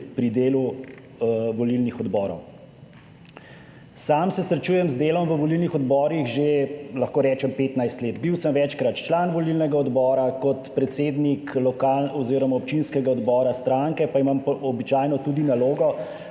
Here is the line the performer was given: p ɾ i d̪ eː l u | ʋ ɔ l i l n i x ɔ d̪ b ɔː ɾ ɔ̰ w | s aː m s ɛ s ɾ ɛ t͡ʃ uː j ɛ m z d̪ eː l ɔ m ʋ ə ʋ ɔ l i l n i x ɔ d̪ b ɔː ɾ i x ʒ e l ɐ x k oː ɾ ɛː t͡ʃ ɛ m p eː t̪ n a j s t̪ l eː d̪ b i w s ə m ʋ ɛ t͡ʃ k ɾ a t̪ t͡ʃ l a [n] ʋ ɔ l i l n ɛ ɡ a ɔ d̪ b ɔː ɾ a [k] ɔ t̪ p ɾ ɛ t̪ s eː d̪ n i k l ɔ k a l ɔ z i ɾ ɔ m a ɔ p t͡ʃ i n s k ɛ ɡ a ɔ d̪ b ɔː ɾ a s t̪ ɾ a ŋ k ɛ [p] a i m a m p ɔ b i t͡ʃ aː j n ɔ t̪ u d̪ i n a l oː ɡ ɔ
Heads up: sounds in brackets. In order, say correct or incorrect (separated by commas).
correct, correct, correct